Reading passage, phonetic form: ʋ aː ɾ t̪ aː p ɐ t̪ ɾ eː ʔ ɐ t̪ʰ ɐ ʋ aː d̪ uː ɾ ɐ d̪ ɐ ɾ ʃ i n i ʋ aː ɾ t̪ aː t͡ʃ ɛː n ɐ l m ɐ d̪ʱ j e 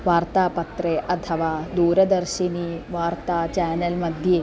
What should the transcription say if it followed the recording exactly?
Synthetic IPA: ʋ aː ɾ t̪ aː p ɐ t̪ ɾ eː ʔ ɐ t̪ʰ ɐ ʋ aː d̪ uː ɾ ɐ d̪ ɐ ɾ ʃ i n i ʋ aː ɾ t̪ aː t͡ʃ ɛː n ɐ l m ɐ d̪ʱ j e